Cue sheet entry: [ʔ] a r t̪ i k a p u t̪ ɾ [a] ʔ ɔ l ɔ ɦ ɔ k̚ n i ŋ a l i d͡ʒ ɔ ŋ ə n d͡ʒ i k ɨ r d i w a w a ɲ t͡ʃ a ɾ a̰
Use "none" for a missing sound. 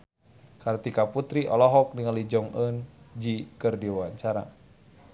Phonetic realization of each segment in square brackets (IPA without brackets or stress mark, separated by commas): k, i